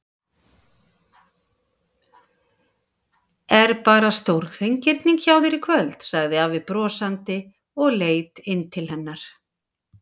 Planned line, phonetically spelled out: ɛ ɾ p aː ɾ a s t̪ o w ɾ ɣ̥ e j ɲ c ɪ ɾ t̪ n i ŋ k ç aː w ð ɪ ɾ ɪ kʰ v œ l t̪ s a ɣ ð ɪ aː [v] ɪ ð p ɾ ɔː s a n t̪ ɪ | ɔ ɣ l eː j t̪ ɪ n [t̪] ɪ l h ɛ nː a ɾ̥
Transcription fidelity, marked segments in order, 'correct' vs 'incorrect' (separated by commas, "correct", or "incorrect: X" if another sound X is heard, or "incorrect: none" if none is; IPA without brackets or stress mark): correct, incorrect: t̪ʰ